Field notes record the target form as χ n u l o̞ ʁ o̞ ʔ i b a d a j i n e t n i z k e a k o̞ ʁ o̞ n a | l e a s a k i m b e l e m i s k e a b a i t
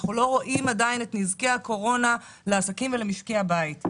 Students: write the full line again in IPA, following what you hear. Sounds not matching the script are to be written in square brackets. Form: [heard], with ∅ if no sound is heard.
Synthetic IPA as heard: χ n u l o̞ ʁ o̞ ʔ i [m] a d a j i n e t n i z k e a k o̞ ʁ o̞ n a | l e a s a k i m [v] e l e m i [ʃ] k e a b a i t

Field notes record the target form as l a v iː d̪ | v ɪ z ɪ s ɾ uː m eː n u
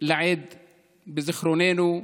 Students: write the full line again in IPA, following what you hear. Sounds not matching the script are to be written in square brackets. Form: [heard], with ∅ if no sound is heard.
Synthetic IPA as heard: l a [ʕ] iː d̪ | [b] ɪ z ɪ [x] ɾ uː [n] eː n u

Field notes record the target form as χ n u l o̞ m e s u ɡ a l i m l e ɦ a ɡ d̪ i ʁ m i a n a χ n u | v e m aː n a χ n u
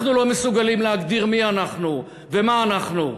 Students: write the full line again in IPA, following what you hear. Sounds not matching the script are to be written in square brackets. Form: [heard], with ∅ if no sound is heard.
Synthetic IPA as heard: χ n u l o̞ m e s u ɡ a l i m l e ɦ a ɡ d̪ i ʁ m i a n a χ n u | v e m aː n a χ n u

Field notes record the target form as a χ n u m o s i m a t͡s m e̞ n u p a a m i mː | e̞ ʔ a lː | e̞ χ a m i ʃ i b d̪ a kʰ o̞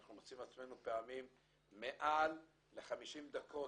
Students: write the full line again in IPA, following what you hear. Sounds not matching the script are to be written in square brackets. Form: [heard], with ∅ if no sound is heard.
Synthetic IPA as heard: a χ n u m o [t͡s] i m a t͡s m e̞ n u p [e] a m i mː | e̞ ʔ a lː | e̞ χ a m i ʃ i [m] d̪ a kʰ o̞

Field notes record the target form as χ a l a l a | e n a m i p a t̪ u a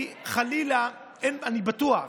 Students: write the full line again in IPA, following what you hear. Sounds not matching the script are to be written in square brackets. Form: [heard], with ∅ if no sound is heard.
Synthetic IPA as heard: χ a l [i] l a | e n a [n] i [b] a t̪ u a

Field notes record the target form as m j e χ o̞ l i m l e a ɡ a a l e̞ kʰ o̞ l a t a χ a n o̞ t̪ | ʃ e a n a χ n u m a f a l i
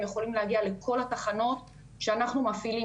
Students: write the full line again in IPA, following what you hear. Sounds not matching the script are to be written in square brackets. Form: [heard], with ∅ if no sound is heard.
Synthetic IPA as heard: m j e χ o̞ l i m l e a ɡ [i] a l e̞ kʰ o̞ l a t a χ a n o̞ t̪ | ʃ e a n a χ n u m a f [i] l i

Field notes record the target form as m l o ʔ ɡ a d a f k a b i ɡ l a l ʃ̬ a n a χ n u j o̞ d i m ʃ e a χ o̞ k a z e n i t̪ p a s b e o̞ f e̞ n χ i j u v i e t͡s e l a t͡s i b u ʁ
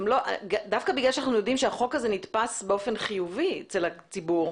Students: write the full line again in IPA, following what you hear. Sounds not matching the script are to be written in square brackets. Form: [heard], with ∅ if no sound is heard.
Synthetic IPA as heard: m l o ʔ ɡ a d a f k a b i ɡ l a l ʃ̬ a n a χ n u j o̞ d i m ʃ e a χ o̞ k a z e n i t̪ p a s b e o̞ f e̞ n χ i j u v i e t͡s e l a t͡s i b u ʁ

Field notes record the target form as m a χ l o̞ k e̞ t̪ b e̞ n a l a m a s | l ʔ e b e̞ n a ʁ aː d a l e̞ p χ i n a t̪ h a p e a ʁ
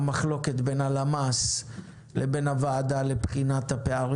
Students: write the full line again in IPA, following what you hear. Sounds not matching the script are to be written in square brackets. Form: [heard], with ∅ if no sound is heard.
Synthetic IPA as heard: m a χ l o̞ k e̞ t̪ b e̞ n a l a m a s | l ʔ e b e̞ n a [v] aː d a l e̞ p χ i n a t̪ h a p e a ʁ

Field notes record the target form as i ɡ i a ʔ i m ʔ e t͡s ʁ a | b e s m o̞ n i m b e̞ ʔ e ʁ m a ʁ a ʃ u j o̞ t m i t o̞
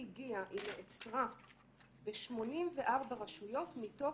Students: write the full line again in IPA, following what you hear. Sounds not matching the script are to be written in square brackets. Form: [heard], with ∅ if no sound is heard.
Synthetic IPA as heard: i ɡ i a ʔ i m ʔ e t͡s ʁ a | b e [ʃ] m o̞ n i m [v] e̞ ʔ [a] ʁ [b] a ʁ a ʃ u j o̞ t m i t o̞

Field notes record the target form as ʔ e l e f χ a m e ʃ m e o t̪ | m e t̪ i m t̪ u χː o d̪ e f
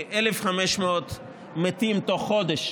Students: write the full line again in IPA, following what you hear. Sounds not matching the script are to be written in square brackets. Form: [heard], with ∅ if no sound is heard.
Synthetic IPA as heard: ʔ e l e f χ a m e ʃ m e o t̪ | m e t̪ i m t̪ [o] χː o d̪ e [ʃ]

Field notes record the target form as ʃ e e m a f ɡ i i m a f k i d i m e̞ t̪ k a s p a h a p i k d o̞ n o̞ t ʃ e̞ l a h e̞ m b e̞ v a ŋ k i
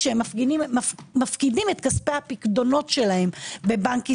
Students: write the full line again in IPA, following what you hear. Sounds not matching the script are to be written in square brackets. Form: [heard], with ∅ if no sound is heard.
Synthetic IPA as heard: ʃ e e m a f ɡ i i m a f k i d i m e̞ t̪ k a s p [e] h a p i k d o̞ n o̞ t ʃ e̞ l a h e̞ m b e̞ [b] a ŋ k i

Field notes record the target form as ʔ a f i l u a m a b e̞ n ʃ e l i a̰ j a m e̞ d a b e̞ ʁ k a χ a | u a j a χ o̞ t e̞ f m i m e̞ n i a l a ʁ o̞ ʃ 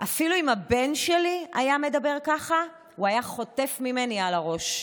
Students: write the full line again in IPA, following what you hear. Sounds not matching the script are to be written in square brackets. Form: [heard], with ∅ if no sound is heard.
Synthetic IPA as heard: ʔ a f i l u [i] m a b e̞ n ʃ e l i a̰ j a m e̞ d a b e̞ ʁ k a χ a | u a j a χ o̞ t e̞ f m i m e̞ n i a l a ʁ o̞ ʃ

